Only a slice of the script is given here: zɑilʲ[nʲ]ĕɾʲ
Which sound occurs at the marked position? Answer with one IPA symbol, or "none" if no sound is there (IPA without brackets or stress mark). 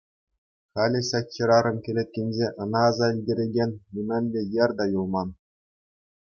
dʲ